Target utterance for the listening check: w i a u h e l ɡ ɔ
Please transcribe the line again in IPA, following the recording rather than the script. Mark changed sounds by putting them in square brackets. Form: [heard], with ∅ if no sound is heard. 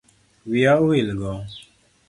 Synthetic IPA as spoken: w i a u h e l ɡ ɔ